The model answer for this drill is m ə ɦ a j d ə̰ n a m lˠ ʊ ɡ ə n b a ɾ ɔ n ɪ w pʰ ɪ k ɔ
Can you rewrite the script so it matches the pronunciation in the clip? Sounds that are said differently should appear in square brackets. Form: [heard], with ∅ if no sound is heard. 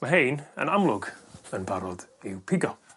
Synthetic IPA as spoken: m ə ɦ [e] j [n] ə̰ n a m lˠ ʊ ɡ ə n b a ɾ ɔ [d] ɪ w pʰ ɪ [ɡ] ɔ